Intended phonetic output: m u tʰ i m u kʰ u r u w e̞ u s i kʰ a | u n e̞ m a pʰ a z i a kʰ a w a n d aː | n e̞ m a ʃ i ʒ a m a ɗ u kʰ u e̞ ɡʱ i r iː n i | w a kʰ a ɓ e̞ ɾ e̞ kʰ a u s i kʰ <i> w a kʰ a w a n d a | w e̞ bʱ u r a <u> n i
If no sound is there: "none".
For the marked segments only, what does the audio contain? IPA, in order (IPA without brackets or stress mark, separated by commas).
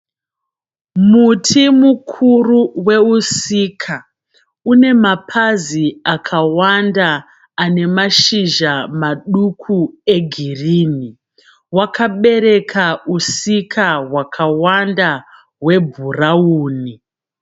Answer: a, uː